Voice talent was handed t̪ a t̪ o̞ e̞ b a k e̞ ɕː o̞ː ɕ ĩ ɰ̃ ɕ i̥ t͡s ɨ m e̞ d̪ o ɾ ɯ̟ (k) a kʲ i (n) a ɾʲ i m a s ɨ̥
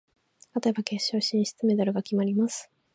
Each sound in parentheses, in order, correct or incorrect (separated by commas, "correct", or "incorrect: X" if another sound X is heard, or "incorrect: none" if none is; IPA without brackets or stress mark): incorrect: ɡ, incorrect: m